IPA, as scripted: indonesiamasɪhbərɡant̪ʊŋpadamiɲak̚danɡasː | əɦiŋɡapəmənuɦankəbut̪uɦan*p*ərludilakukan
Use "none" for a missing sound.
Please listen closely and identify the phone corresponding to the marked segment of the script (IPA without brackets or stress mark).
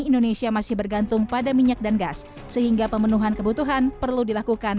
p